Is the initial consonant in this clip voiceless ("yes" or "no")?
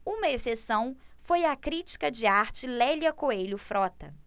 no